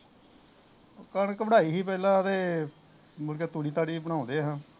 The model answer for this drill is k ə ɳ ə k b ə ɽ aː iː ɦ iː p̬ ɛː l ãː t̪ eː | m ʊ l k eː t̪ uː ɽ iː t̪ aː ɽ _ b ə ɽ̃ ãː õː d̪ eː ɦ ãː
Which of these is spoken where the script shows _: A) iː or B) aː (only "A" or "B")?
A